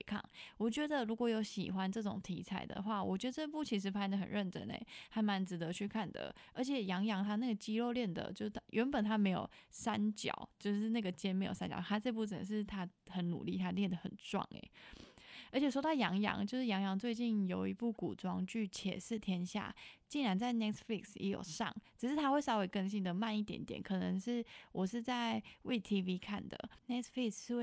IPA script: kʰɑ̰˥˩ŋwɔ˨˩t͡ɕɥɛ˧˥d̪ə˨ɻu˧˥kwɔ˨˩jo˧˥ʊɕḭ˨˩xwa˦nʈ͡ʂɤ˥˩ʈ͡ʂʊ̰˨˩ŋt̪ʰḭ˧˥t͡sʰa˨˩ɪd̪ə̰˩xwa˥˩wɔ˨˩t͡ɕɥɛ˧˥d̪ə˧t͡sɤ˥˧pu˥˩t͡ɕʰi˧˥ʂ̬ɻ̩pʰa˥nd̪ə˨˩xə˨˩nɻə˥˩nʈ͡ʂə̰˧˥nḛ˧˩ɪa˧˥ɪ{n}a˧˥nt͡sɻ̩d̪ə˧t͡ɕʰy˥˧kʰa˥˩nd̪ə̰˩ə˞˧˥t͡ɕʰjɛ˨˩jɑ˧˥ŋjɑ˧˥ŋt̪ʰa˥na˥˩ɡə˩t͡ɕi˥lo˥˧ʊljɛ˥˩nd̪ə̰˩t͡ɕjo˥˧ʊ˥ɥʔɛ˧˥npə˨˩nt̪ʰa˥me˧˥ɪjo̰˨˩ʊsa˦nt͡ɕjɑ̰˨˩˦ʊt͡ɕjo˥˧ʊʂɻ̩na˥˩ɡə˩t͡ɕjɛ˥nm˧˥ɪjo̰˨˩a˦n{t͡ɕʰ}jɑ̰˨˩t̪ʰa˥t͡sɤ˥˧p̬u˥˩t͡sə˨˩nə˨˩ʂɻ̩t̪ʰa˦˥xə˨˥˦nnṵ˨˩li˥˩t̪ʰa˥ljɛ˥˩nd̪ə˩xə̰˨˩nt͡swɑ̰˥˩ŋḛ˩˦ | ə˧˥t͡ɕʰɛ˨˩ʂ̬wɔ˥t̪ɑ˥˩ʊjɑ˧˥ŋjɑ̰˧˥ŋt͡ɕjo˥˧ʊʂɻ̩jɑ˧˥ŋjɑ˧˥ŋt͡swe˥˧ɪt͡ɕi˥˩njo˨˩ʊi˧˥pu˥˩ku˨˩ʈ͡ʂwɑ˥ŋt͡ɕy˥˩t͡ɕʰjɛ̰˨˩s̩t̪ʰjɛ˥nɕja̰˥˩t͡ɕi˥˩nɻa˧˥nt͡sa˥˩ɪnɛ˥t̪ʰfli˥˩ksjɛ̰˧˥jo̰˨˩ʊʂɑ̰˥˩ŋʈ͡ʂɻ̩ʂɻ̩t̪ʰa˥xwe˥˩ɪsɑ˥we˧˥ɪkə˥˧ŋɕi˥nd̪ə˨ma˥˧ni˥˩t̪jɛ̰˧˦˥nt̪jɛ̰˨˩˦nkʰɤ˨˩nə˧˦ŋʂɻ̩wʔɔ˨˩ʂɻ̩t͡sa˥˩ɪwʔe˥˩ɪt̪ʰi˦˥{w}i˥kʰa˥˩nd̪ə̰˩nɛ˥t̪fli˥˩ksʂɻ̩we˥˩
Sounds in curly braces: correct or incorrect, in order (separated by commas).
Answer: incorrect, incorrect, incorrect